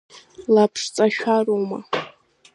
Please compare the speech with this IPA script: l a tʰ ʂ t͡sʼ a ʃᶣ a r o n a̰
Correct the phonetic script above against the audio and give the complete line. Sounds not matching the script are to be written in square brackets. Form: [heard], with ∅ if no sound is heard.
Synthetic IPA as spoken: l a [pʰ] ʂ t͡sʼ a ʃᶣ a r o [m] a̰